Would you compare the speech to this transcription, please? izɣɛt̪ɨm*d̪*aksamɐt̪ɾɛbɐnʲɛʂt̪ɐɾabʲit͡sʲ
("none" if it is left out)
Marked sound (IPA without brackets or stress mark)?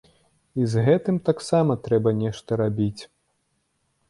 t̪